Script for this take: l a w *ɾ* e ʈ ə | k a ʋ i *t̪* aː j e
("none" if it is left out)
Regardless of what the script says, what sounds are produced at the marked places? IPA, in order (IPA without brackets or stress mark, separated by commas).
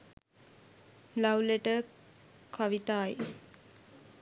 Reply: l, t̪